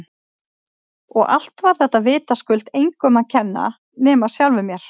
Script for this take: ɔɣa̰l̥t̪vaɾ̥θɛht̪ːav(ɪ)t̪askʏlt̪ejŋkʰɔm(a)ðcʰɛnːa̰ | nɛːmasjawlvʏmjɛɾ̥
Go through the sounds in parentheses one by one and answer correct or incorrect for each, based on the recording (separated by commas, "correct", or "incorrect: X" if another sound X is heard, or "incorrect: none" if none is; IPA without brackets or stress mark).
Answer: incorrect: ɪː, correct